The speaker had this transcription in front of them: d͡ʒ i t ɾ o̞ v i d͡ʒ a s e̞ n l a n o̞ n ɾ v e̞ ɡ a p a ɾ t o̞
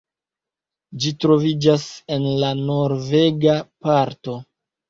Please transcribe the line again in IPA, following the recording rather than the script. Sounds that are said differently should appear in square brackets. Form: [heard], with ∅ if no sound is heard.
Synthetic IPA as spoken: d͡ʒ i t ɾ o̞ v i d͡ʒ a s e̞ n l a n o̞ [∅] ɾ v e̞ ɡ a p a ɾ t o̞

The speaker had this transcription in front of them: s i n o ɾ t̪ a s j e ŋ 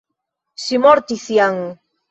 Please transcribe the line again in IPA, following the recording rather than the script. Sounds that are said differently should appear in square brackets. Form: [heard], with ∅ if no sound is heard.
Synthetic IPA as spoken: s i [m] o ɾ t̪ [i] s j [a] ŋ

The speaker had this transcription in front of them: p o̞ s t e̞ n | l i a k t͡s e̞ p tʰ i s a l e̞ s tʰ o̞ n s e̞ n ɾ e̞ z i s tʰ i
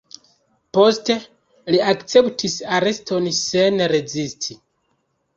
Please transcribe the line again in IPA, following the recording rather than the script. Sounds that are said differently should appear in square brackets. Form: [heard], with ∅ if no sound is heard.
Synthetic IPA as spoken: p o̞ s t e̞ [∅] | l i a k t͡s e̞ p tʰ i s a [ɾ] e̞ s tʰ o̞ n s e̞ n ɾ e̞ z i s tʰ i

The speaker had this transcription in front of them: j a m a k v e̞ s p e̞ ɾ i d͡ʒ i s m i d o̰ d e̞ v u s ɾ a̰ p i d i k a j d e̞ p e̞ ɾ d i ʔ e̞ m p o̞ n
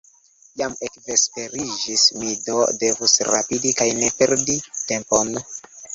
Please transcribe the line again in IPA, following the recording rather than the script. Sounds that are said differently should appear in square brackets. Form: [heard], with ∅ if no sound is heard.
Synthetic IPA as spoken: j a m [e] k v e̞ s p e̞ ɾ i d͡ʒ i s m i d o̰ d e̞ v u s ɾ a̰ p i d i k a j [n] e̞ p e̞ ɾ d i [t] e̞ m p o̞ n

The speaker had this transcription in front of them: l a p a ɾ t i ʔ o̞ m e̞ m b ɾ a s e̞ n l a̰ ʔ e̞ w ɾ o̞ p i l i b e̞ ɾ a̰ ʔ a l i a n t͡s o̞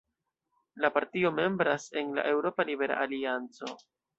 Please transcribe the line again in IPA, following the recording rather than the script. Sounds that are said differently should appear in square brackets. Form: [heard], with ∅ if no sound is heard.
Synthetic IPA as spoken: l a p a ɾ t i [∅] o̞ m e̞ m b ɾ a s e̞ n l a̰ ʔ e̞ w ɾ o̞ p [a] l i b e̞ ɾ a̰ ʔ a l i a n t͡s o̞

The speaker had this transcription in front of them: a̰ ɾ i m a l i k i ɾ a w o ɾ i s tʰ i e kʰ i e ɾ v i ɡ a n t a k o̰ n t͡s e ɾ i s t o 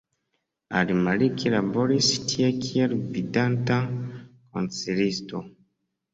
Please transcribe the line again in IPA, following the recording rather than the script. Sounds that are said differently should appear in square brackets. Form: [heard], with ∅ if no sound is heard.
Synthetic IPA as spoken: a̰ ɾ i m a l i k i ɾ a [b] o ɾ i s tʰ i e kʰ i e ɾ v i [d] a n t a k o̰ n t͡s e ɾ i s t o

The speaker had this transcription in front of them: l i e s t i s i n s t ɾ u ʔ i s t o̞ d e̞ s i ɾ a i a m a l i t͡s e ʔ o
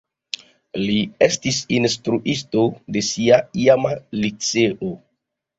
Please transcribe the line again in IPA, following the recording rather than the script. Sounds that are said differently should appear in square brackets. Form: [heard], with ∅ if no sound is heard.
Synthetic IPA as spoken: l i e s t i s i n s t ɾ u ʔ i s t o̞ d e̞ s i [∅] a i a m a l i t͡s e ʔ o

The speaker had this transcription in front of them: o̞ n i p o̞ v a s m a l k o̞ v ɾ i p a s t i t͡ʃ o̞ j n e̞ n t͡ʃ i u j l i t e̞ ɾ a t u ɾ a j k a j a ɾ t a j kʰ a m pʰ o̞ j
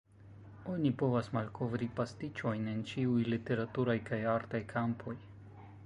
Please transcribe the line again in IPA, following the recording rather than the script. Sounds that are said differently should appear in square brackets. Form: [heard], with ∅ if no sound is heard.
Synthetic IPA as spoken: o̞ n i p o̞ v a s m a l k o̞ v ɾ i p a s t i t͡ʃ o̞ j n e̞ n t͡ʃ i u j l i t e̞ ɾ a t u ɾ a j k a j a ɾ t a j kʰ a m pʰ o̞ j

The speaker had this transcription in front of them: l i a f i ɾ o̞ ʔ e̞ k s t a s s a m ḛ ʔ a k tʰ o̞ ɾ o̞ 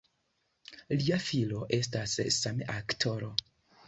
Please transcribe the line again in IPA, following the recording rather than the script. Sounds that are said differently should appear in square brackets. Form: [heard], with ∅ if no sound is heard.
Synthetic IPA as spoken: l i a f i [l] o̞ ʔ e̞ [∅] s t a s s a m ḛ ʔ a k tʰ o̞ ɾ o̞

